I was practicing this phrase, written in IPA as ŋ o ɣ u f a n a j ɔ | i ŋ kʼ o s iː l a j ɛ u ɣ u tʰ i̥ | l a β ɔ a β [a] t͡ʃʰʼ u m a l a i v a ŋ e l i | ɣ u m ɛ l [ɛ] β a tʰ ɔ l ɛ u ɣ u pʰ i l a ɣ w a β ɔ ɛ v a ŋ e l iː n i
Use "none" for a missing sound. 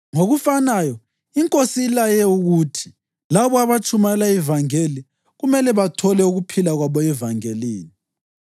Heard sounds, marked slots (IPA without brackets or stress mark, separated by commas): a, ɛ